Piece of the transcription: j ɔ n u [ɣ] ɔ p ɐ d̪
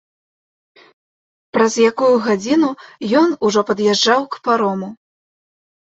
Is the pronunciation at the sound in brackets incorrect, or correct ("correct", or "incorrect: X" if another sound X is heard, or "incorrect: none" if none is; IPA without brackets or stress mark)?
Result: incorrect: ʐ